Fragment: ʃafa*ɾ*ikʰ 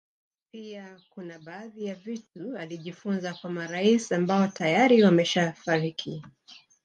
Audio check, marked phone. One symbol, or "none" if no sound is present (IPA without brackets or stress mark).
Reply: ɾ